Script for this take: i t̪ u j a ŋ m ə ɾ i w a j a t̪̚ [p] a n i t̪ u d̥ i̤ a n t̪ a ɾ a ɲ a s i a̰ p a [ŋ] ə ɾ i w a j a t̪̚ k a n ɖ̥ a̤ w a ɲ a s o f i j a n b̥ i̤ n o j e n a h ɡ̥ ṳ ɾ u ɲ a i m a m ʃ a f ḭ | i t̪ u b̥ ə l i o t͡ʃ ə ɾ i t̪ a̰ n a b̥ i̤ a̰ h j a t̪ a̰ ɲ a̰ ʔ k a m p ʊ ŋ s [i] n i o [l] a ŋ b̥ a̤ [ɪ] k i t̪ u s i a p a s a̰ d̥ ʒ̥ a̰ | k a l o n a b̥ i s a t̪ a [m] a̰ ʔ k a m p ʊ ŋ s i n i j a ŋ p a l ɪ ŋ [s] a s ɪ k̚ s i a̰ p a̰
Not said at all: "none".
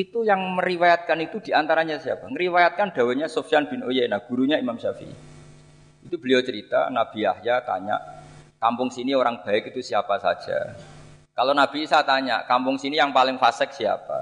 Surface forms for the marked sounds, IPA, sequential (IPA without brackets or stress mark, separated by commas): k, ŋ, i, ɾ, ɪ, ɲ, f